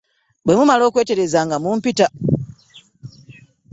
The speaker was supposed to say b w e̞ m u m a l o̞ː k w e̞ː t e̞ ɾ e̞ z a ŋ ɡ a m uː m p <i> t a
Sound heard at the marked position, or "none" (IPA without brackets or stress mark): i